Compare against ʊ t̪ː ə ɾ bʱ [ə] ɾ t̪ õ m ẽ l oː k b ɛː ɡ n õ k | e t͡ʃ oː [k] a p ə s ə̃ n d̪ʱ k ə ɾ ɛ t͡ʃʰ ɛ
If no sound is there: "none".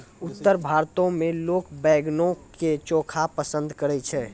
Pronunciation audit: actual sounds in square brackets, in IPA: a, kʰ

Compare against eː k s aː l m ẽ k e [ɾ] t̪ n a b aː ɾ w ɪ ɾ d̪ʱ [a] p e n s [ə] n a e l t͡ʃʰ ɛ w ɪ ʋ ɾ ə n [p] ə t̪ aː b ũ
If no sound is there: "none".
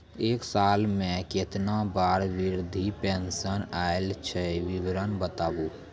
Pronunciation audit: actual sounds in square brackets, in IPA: none, i, ə, b

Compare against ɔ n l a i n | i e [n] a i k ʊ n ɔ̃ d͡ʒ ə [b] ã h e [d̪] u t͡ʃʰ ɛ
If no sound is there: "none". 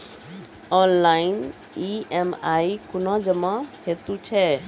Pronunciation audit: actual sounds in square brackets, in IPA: m, m, t̪

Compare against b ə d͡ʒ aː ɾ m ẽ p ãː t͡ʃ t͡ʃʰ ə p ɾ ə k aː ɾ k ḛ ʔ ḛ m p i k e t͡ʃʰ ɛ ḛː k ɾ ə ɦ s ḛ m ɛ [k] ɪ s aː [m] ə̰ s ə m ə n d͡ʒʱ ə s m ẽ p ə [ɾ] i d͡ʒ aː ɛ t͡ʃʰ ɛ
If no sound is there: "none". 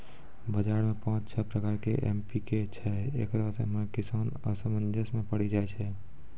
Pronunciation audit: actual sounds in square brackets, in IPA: k, n, ɽ

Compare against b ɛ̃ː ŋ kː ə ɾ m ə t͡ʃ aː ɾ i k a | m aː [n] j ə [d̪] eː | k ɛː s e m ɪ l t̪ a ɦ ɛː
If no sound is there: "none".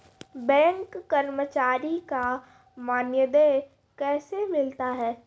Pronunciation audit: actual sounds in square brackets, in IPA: n, d̪

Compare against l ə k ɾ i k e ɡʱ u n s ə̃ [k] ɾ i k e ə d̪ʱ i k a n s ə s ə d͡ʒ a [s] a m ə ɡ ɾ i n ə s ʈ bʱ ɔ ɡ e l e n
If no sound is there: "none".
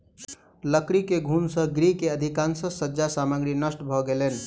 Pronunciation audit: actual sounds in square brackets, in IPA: ɡ, s

